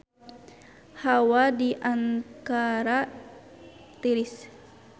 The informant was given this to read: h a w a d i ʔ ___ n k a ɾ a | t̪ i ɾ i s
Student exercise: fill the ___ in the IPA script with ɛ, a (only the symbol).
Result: a